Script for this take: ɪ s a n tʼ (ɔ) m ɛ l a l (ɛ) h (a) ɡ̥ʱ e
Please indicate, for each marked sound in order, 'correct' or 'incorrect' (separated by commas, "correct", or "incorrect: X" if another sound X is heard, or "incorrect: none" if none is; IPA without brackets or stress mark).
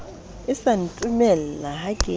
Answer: incorrect: u, incorrect: a, correct